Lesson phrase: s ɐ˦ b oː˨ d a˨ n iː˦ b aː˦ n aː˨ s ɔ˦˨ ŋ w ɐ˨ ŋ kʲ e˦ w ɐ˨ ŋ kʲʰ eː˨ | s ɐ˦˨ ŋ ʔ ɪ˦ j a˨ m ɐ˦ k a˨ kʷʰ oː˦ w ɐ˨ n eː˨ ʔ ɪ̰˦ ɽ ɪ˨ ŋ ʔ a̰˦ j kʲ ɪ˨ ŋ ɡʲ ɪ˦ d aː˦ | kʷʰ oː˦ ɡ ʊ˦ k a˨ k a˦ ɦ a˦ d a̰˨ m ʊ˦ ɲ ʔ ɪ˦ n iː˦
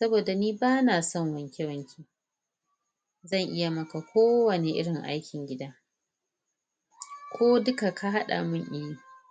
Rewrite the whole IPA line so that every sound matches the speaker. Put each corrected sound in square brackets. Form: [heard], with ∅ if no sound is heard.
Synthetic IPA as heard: s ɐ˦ b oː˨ d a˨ n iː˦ b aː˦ n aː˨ s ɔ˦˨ ŋ w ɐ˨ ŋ kʲ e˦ w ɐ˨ ŋ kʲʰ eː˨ | [z] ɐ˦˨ ŋ ʔ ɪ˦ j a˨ m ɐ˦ k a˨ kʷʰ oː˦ w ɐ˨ n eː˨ ʔ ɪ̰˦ ɽ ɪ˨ ŋ ʔ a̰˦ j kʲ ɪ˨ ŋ ɡʲ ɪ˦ d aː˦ | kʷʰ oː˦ [d] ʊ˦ k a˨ k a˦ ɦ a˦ [ɗ] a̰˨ m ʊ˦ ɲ ʔ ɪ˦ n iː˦